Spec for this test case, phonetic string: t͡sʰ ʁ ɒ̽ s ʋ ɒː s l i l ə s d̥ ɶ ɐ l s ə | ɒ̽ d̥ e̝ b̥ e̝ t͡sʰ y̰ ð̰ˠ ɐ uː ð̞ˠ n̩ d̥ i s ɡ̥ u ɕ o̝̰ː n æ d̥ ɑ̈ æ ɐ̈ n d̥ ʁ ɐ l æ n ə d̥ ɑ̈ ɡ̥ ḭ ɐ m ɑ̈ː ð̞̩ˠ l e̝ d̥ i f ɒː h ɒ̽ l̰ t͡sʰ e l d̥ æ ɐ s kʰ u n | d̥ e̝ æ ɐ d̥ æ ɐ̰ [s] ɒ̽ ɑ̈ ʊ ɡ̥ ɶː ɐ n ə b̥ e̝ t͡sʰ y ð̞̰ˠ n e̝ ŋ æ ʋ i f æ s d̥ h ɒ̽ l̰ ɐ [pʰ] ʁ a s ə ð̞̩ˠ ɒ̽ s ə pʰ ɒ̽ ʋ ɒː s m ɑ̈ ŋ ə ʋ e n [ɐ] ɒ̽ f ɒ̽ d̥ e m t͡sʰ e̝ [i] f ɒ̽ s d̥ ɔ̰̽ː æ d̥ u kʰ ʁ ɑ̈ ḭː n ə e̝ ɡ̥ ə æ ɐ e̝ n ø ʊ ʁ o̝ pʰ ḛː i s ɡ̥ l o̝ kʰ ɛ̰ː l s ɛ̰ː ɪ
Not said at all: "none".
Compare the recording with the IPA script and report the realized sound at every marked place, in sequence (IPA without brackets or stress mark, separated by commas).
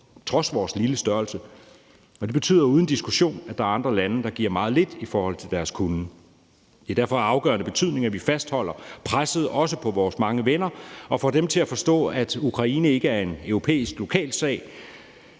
f, pʰ, ɐ, æ